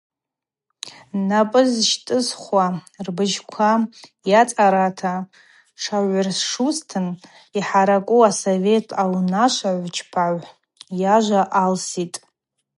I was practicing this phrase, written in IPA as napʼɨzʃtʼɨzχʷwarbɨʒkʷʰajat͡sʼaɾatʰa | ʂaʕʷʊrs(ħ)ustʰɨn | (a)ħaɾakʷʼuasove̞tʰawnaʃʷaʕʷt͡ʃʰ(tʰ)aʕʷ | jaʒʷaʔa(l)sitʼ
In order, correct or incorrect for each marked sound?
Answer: incorrect, incorrect, incorrect, correct

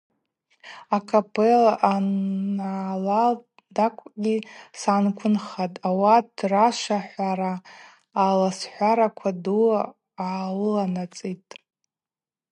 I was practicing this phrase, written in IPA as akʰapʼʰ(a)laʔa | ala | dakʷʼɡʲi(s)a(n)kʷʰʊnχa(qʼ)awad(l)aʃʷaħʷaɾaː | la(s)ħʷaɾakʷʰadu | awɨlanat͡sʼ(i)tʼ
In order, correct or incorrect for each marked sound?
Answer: incorrect, correct, correct, incorrect, incorrect, correct, correct

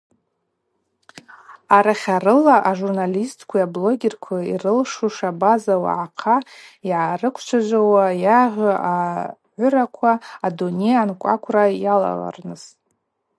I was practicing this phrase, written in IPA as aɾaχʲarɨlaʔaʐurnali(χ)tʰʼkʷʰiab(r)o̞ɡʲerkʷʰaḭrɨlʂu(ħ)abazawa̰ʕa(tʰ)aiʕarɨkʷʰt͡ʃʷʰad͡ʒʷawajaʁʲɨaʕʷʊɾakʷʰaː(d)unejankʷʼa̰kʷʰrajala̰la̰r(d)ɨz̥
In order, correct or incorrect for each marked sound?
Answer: incorrect, incorrect, incorrect, incorrect, correct, incorrect

